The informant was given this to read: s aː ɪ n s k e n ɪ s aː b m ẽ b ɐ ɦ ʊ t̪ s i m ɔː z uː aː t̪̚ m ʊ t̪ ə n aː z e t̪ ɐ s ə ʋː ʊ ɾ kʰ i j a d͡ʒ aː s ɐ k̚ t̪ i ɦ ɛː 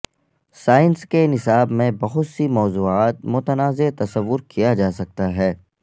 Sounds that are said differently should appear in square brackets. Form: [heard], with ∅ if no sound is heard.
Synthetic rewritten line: s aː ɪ n s k e n ɪ s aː b m ẽ b ɐ ɦ ʊ t̪ s i m ɔː z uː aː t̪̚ m ʊ t̪ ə n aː z e t̪ ɐ s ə ʋː ʊ ɾ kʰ i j a d͡ʒ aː s ɐ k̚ t̪ [a] ɦ ɛː

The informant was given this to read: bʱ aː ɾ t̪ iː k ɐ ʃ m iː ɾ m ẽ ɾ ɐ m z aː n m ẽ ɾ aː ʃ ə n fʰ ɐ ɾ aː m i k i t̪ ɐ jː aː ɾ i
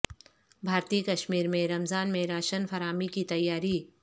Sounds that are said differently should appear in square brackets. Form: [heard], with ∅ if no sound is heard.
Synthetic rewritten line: bʱ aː ɾ t̪ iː k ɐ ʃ m iː ɾ m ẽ ɾ ɐ m z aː n m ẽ ɾ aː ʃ ə n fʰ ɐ ɾ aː m i k i t̪ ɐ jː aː ɾ i

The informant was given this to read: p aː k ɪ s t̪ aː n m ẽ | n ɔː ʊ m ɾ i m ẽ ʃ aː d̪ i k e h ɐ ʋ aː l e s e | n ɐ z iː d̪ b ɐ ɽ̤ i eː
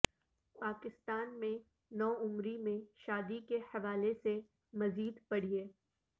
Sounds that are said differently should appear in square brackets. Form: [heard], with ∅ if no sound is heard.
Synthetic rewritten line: p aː k ɪ s t̪ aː n m ẽ | n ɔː ʊ m ɾ i m ẽ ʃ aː d̪ i k e h ɐ ʋ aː l e s e | [m] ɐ z iː d̪ [p] ɐ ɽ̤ i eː

